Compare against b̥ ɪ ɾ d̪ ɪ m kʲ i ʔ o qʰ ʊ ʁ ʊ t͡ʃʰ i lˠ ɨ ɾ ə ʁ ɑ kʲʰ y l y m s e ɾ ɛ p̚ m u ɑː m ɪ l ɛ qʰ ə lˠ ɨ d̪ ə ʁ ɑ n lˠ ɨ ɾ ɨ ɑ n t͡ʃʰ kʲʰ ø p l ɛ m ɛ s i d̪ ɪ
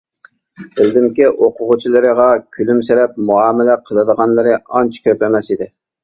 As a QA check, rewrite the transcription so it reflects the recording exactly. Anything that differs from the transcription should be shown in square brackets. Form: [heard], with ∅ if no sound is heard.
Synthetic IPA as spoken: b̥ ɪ [l] d̪ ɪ m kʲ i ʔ o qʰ ʊ ʁ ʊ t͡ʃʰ i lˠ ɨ ɾ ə ʁ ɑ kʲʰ y l y m s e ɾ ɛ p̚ m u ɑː m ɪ l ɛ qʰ ə lˠ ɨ d̪ ə ʁ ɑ n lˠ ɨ ɾ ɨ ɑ n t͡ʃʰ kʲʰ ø p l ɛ m ɛ s i d̪ ɪ